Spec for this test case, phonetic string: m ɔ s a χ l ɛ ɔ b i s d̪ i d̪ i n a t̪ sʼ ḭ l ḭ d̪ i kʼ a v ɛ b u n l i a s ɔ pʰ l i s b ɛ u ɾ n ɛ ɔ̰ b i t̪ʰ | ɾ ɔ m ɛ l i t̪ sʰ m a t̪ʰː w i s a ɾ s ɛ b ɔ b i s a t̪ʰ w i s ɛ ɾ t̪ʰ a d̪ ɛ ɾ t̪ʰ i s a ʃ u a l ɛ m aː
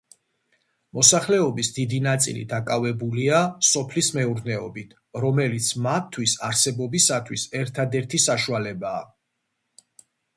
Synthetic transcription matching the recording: m ɔ s a χ l ɛ ɔ b i s d̪ i d̪ i n a t̪ sʼ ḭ l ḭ d̪ a kʼ a v ɛ b u l i a s ɔ pʰ l i s m ɛ u ɾ n ɛ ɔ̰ b i t̪ʰ | ɾ ɔ m ɛ l i t̪ sʰ m a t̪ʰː w i s a ɾ s ɛ b ɔ b i s a t̪ʰ w i s ɛ ɾ t̪ʰ a d̪ ɛ ɾ t̪ʰ i s a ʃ u a l ɛ b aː